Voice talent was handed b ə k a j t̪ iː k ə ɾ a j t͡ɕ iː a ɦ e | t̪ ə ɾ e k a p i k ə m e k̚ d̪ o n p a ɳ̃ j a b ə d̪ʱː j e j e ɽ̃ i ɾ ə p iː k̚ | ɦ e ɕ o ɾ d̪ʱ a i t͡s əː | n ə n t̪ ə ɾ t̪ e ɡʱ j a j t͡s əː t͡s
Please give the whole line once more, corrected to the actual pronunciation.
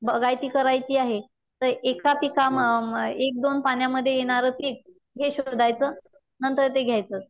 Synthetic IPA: b ə ɡ a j t̪ iː k ə ɾ a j t͡ɕ iː a ɦ e | t̪ ə ɾ e k a p i k a m e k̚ d̪ o n p a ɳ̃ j a m ə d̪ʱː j e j e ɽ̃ a ɾ ə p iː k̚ | ɦ e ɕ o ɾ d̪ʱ a j t͡s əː | n ə n t̪ ə ɾ t̪ e ɡʱ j a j t͡s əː t͡s